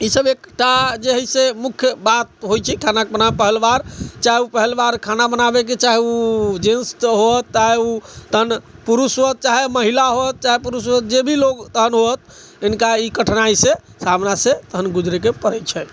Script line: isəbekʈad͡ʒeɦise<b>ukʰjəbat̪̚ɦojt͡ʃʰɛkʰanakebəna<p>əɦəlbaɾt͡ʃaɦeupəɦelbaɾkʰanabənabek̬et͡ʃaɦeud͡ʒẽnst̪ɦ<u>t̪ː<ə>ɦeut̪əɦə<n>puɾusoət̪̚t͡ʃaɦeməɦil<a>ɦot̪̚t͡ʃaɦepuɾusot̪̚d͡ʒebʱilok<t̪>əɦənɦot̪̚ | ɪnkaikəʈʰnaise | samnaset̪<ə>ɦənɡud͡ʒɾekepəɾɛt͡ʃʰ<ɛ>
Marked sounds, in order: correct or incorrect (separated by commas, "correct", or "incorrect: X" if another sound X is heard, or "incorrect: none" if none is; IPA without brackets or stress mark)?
incorrect: m, correct, incorrect: o, incorrect: a, correct, correct, correct, correct, correct